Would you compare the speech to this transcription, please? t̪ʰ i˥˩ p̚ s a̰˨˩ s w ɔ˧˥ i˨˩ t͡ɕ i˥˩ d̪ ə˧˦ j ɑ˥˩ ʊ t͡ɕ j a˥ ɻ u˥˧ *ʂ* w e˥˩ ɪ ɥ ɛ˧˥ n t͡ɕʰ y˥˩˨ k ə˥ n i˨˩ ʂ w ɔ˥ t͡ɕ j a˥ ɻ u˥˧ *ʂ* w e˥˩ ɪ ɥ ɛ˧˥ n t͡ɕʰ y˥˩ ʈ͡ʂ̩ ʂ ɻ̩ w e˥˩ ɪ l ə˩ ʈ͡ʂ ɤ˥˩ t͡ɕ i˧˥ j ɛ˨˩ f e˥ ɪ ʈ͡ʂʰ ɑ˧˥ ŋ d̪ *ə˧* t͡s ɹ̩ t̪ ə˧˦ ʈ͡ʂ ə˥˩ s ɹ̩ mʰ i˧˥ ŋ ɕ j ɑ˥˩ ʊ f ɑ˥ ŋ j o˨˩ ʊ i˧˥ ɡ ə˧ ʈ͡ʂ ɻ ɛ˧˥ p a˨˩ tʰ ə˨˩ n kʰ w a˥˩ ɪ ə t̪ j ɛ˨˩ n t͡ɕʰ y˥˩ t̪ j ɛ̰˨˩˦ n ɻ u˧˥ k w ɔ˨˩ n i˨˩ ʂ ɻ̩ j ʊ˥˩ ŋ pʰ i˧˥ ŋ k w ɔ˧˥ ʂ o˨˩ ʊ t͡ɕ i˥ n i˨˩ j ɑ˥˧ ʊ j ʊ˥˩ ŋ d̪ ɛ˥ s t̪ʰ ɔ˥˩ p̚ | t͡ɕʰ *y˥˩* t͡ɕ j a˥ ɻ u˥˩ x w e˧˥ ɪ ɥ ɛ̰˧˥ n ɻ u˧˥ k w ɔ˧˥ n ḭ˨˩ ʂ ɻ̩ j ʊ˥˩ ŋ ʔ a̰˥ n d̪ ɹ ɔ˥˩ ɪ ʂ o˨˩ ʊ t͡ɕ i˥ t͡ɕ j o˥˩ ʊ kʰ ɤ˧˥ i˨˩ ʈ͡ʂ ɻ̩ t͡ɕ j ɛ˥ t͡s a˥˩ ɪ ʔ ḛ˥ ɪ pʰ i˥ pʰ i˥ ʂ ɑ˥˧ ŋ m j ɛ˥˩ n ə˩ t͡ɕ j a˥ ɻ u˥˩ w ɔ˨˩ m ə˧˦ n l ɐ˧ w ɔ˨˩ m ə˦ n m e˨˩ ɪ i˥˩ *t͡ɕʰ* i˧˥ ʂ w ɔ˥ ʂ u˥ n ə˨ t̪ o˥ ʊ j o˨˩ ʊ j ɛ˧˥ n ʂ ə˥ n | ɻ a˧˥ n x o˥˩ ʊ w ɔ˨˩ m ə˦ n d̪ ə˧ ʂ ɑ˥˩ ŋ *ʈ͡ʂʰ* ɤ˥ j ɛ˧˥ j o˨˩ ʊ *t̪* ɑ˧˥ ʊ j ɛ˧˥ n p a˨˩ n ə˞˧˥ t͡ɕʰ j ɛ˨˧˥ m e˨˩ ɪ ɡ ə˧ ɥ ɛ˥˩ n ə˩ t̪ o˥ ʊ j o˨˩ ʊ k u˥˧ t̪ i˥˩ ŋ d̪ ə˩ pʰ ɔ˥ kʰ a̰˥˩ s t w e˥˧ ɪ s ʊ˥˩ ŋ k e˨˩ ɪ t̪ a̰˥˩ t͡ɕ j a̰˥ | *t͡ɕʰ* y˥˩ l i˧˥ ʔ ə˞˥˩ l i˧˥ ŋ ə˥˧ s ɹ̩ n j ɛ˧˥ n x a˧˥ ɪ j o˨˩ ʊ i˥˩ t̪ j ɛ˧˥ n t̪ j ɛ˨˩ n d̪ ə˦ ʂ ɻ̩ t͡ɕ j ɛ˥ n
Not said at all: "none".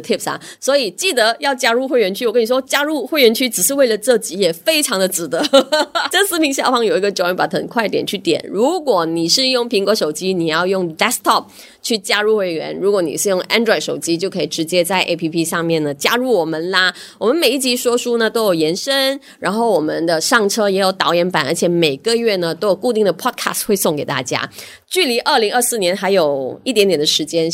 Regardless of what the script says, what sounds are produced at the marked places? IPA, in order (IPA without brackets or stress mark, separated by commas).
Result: x, x, ə˧, y˥˩, t͡ɕ, ʈ͡ʂʰ, t̪, t͡ɕ